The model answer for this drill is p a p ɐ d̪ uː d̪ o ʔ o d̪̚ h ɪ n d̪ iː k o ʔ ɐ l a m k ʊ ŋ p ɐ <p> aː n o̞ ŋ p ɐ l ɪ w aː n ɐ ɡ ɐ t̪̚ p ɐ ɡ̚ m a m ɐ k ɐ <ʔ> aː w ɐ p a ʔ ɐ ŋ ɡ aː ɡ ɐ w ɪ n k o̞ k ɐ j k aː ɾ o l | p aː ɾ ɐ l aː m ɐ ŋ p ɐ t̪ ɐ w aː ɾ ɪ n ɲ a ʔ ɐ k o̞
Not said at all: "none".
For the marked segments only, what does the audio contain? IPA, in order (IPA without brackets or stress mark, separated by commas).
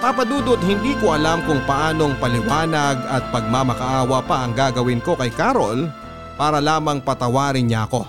ʔ, ʔ